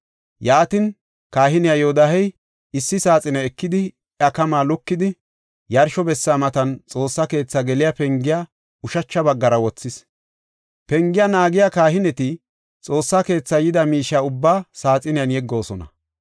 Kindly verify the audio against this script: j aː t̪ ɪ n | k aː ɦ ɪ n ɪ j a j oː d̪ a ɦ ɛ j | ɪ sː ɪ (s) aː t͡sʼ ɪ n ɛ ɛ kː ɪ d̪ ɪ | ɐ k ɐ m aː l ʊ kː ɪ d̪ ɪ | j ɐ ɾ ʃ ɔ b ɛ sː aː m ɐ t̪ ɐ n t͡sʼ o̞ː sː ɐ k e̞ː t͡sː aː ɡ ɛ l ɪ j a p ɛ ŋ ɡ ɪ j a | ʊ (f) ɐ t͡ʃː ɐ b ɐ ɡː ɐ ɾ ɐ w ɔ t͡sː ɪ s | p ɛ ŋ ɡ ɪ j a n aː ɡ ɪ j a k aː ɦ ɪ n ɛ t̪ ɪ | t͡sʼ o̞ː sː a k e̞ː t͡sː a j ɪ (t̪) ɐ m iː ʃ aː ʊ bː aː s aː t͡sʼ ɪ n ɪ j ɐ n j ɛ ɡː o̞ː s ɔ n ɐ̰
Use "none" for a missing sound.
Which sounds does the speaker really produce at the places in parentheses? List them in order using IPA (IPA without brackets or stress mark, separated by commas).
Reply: s, ʃ, d̪